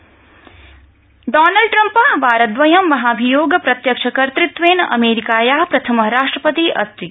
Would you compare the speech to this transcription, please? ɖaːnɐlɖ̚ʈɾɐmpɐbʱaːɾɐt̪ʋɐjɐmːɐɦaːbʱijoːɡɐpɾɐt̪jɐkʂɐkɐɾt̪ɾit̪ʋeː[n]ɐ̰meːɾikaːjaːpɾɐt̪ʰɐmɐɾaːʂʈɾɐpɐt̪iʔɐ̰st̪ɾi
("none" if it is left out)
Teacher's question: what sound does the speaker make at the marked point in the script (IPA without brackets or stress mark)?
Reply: n